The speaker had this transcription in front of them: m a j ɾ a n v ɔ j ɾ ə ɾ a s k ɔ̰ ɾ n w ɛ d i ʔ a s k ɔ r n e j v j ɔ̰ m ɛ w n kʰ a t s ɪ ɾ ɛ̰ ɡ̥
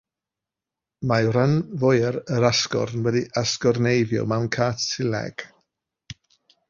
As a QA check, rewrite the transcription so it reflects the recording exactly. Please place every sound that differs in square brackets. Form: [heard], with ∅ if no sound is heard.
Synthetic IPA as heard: m a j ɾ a n v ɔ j ɾ ə ɾ a s k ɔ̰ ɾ n w ɛ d i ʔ a s k ɔ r n e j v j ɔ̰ m [a] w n kʰ a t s ɪ [l] ɛ̰ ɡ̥